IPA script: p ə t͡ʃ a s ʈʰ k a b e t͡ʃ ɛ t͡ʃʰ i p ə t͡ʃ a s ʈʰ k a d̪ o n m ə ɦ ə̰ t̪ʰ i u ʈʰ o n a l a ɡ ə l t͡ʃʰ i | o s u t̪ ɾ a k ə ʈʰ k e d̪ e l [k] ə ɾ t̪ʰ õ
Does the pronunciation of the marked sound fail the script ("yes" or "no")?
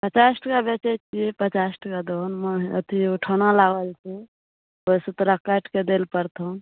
yes